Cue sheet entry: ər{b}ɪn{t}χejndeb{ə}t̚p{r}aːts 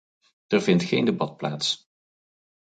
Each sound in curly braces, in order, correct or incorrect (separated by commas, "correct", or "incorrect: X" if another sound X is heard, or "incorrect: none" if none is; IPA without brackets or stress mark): incorrect: v, correct, incorrect: ɑ, incorrect: l